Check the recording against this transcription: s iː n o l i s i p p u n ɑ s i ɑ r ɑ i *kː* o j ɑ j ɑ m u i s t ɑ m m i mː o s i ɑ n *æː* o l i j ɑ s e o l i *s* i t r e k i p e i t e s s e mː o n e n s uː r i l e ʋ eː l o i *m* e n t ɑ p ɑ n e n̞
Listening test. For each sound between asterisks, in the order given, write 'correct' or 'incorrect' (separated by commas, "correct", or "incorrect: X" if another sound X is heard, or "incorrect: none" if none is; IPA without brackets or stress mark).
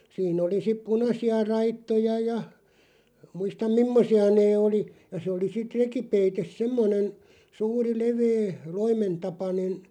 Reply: incorrect: tː, incorrect: eː, correct, correct